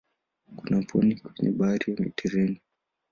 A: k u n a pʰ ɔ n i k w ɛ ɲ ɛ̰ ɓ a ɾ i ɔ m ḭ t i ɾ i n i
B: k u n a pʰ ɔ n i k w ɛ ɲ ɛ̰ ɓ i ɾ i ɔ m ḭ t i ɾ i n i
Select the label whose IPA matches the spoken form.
A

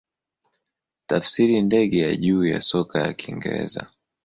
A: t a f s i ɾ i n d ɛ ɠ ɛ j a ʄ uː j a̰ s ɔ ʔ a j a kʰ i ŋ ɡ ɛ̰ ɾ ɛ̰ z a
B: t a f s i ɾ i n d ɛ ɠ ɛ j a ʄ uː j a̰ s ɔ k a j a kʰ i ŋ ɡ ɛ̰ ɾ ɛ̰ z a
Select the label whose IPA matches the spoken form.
B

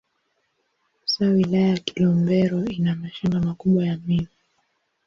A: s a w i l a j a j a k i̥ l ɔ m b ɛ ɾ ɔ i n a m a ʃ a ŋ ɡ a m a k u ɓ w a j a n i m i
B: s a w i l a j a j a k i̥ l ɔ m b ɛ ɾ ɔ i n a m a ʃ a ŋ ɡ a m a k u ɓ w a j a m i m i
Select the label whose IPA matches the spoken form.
B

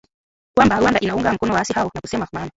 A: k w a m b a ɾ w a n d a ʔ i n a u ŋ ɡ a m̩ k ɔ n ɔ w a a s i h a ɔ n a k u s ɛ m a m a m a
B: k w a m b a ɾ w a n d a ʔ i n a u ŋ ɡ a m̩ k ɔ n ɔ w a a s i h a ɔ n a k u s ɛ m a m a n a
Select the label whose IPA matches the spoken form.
B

